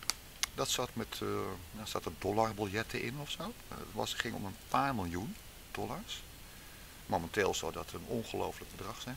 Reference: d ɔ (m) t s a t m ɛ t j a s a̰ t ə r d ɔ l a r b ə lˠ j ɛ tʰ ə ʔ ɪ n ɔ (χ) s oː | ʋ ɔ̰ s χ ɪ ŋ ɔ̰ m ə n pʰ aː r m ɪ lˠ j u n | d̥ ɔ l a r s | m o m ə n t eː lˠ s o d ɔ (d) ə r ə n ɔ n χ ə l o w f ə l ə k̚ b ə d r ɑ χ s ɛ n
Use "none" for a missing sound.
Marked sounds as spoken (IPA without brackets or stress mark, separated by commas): none, f, t